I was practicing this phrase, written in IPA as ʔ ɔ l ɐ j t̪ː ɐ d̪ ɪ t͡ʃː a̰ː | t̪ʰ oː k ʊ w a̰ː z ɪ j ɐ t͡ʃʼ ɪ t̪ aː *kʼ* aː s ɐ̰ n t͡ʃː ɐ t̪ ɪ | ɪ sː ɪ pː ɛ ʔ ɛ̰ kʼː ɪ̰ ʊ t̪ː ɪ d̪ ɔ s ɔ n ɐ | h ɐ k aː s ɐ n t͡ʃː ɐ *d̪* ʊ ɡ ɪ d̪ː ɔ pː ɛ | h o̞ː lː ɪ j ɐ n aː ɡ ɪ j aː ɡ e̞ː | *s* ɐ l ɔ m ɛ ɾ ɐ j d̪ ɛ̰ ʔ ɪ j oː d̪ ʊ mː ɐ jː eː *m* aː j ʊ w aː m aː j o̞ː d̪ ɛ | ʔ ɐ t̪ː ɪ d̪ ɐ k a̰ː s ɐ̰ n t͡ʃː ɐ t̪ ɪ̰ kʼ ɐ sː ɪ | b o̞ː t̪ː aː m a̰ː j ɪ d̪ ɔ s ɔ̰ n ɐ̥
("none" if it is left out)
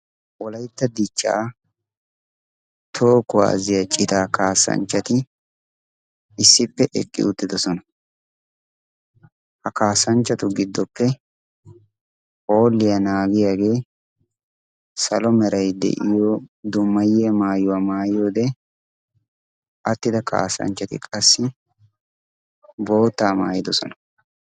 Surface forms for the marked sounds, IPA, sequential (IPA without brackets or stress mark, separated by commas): k, t̪, s, m